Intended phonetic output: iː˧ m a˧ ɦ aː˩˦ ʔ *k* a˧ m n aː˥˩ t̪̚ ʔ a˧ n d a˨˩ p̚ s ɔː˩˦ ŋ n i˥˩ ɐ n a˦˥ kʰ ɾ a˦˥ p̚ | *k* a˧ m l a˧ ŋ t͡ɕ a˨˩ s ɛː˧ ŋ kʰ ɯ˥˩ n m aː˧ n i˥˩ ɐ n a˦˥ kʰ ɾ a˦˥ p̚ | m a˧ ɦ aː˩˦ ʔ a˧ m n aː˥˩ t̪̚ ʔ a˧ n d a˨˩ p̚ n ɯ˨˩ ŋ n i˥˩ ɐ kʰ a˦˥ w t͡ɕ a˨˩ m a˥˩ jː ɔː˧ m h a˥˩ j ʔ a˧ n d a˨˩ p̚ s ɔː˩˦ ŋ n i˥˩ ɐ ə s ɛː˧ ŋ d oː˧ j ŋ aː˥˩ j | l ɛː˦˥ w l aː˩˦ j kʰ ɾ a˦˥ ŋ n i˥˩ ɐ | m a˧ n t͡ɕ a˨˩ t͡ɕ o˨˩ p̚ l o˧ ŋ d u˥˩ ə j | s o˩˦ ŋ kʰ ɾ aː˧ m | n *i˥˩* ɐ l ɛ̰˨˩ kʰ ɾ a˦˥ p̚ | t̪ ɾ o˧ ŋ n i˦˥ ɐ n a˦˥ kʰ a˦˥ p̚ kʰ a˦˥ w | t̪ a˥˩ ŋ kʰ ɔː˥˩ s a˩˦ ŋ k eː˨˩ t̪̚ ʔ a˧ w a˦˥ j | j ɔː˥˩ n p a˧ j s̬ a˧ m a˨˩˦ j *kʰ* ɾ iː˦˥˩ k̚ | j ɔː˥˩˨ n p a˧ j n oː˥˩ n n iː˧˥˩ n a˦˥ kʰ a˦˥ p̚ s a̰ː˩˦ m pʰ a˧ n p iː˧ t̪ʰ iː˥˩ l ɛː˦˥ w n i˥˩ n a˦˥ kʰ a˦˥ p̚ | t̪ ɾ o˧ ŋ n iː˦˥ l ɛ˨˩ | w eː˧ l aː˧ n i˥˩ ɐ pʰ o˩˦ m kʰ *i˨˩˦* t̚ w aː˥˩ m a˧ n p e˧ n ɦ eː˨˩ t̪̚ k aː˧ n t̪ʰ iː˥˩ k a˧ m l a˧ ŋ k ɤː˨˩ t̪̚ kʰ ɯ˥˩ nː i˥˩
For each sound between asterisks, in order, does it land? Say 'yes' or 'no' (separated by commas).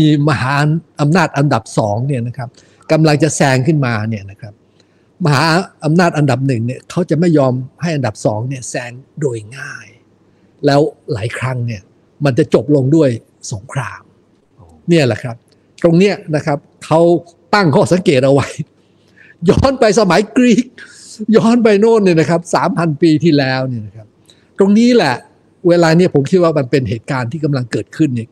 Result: no, yes, yes, no, no